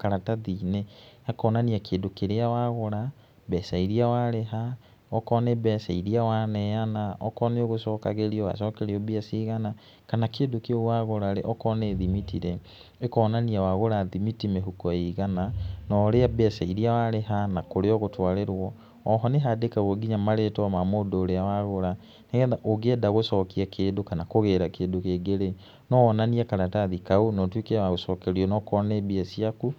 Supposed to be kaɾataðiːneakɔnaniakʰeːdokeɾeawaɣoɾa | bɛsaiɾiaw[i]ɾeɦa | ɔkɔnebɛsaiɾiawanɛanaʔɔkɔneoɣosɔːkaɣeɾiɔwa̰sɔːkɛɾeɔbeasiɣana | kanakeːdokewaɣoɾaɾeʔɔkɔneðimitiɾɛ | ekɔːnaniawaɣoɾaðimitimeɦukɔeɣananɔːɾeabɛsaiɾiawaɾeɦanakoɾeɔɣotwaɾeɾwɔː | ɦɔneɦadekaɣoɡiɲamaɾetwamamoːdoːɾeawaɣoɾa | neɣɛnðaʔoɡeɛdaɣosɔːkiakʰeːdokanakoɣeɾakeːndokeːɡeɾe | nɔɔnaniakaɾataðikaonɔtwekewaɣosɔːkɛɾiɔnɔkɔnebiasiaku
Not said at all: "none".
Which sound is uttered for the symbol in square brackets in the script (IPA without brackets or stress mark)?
a